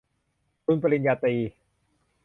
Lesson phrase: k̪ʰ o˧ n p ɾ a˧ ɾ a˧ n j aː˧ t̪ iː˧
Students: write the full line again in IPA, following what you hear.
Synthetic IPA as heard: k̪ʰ u˧ n p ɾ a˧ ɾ i˧ n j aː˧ t̪ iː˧